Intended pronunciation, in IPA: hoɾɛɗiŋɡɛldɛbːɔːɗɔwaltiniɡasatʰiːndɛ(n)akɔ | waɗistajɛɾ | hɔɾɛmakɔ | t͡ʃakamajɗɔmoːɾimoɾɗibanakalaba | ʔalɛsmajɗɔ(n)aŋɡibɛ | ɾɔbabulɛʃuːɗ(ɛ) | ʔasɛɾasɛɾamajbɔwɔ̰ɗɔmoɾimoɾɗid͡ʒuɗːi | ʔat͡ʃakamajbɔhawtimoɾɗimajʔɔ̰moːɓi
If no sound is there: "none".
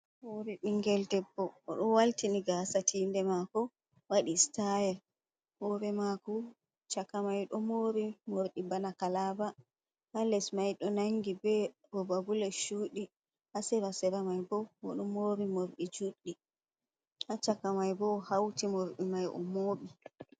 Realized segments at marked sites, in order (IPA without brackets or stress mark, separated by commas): m, n, i